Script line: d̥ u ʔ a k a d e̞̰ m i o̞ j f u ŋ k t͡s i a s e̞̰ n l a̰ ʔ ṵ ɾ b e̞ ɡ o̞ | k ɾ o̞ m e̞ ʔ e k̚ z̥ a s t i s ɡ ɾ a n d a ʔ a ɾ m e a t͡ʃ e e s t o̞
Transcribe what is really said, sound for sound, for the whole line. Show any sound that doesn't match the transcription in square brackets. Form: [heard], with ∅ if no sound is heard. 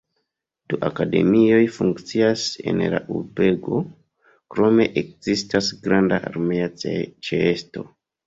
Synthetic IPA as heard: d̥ u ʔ a k a d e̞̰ m i o̞ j f u ŋ k t͡s i a s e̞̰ n l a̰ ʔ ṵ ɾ b e̞ ɡ o̞ | k ɾ o̞ m e̞ ʔ e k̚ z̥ [i] s t [a] s ɡ ɾ a n d a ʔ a ɾ m e a t͡ʃ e e s t o̞